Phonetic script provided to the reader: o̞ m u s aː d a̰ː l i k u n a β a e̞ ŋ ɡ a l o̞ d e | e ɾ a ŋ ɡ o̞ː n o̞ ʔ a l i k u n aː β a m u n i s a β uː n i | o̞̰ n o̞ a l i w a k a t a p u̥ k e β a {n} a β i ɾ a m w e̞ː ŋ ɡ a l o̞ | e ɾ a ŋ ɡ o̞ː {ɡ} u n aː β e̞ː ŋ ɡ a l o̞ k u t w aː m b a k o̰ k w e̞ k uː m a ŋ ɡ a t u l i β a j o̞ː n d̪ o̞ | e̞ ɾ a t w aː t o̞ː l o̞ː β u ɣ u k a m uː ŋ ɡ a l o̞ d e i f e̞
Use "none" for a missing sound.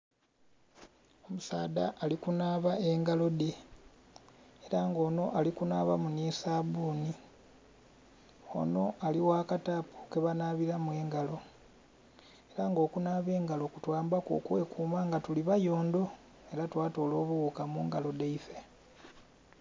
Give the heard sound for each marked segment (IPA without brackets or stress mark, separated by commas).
n, k